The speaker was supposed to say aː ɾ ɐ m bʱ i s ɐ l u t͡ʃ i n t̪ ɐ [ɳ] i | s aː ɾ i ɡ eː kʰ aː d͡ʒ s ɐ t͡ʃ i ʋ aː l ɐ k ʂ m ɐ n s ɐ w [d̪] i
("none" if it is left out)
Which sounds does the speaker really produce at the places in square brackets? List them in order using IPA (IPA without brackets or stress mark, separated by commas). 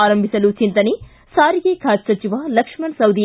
n, d̪